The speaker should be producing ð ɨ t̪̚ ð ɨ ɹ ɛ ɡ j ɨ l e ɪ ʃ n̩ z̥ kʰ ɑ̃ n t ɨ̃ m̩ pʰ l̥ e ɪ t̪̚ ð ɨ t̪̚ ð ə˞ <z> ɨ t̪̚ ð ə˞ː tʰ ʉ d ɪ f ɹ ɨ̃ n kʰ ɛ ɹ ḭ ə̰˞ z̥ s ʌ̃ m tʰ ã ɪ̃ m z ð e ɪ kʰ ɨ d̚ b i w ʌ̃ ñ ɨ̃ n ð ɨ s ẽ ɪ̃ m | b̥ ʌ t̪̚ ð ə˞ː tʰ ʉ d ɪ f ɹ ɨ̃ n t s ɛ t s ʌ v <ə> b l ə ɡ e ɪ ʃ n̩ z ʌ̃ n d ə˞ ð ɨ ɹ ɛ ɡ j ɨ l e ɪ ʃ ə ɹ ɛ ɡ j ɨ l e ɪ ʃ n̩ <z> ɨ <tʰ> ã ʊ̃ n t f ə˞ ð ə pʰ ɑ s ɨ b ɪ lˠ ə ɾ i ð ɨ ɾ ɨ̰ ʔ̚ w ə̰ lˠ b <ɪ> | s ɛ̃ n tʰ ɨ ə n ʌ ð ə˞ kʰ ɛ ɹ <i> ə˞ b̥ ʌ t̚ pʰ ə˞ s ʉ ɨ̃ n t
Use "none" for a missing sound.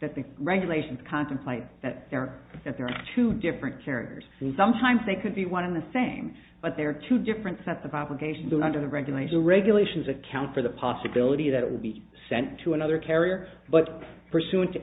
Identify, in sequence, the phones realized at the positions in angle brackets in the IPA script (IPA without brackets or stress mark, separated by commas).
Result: ð, ɑ, z, kʰ, i, i